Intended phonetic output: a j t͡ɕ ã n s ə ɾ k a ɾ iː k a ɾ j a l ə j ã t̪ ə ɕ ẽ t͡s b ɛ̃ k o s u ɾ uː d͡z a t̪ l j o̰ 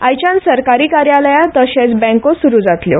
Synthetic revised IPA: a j t͡ɕ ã n s ə ɾ k a ɾ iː k a ɾ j a l ə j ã t̪ ə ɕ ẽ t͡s b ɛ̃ k o s u ɾ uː d͡z a t̪ l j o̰